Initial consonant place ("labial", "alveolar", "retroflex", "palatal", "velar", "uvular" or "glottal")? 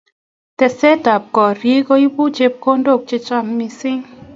alveolar